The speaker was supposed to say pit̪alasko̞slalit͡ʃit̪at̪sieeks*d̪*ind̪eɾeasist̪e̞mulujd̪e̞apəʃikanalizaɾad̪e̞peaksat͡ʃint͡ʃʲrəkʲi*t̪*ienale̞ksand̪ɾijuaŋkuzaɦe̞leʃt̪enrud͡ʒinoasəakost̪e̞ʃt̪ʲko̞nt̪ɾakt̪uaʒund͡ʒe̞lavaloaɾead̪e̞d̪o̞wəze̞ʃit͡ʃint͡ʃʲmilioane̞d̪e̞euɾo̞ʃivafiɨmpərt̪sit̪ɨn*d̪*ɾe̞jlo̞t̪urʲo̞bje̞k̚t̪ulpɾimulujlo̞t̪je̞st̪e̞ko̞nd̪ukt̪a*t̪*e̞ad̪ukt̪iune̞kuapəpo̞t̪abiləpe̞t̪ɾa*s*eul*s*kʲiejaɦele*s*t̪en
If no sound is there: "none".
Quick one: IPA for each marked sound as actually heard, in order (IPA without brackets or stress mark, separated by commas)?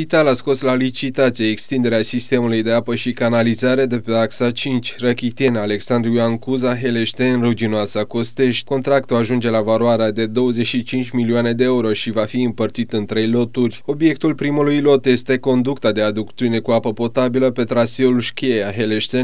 t̪, t̪, t̪, d̪, s, ʃ, ʃ